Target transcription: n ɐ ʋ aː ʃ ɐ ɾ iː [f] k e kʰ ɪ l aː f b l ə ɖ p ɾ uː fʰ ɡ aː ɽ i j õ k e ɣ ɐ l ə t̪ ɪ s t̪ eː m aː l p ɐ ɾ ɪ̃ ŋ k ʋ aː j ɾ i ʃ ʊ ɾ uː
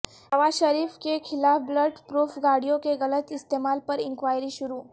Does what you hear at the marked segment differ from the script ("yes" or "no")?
no